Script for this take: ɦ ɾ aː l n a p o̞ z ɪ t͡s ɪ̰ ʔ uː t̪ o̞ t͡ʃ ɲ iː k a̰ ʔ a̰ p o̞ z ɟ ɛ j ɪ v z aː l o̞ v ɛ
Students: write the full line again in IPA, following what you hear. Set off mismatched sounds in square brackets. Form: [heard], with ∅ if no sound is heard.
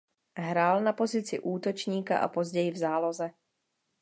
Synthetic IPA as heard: ɦ ɾ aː l n a p o̞ z ɪ t͡s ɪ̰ ʔ uː t̪ o̞ t͡ʃ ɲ iː k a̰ ʔ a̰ p o̞ z ɟ ɛ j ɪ v z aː l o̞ [z] ɛ